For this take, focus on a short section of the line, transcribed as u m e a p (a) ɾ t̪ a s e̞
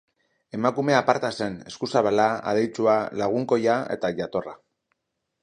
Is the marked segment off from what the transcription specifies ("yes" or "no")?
no